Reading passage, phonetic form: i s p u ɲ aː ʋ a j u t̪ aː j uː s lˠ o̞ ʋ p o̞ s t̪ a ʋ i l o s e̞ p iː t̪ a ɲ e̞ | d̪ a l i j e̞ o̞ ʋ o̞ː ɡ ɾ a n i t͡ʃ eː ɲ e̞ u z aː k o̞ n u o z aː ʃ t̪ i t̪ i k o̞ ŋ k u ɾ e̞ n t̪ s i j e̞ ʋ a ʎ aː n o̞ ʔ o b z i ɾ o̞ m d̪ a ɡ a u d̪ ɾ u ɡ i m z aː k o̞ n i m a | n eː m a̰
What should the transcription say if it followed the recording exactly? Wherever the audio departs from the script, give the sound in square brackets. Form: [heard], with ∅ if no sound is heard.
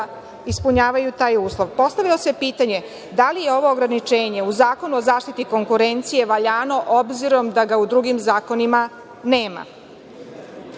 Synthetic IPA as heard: i s p u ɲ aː ʋ a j u t̪ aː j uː s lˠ o̞ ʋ p o̞ s t̪ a ʋ i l o s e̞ p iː t̪ a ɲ e̞ | d̪ a l i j e̞ o̞ ʋ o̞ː ɡ ɾ a n i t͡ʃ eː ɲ e̞ u z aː k o̞ n u o z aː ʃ t̪ i t̪ i k o̞ ŋ k u ɾ e̞ n t̪ s i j e̞ ʋ a ʎ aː n o̞ ʔ o b z i ɾ o̞ m d̪ a ɡ a u d̪ ɾ u ɡ i m z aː k o̞ n i m a | n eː m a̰

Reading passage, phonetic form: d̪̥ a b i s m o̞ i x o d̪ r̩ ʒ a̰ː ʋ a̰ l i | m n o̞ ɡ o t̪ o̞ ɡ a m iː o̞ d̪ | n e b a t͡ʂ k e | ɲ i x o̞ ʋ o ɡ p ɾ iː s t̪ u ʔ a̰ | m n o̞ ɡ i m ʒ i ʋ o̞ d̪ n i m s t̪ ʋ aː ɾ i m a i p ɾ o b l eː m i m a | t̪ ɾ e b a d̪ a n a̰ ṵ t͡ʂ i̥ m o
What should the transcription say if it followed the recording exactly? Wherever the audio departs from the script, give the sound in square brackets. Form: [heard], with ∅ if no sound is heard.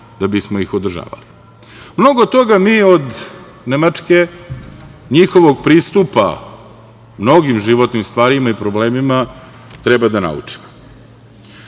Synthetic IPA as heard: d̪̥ a b i s m o̞ i x o d̪ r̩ ʒ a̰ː ʋ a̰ l i | m n o̞ ɡ o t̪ o̞ ɡ a m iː o̞ d̪ | n e [m] a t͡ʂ k e | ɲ i x o̞ ʋ o ɡ p ɾ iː s t̪ u [p] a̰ | m n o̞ ɡ i m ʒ i ʋ o̞ [t̪] n i m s t̪ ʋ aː ɾ i m a i p ɾ o b l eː m i m a | t̪ ɾ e b a d̪ a n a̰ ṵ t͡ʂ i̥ m o

